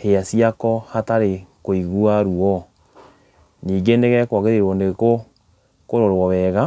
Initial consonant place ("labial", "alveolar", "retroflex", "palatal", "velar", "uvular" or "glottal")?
glottal